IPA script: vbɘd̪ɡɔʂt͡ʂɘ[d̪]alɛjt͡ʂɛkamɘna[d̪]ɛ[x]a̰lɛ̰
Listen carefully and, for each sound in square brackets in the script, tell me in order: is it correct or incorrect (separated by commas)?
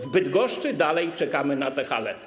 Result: correct, incorrect, correct